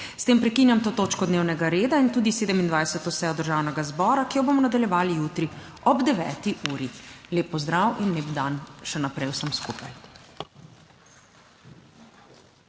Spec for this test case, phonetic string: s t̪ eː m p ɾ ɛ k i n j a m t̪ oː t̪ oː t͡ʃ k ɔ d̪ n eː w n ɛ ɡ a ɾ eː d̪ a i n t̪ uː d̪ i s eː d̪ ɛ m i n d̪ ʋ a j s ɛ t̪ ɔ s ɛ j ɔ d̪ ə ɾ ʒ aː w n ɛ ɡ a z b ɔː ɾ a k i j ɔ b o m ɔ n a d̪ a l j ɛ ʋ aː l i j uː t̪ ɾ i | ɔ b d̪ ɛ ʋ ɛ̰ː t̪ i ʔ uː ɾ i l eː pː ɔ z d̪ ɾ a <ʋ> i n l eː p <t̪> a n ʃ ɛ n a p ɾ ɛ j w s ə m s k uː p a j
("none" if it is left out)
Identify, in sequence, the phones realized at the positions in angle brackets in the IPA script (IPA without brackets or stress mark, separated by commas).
w, d̪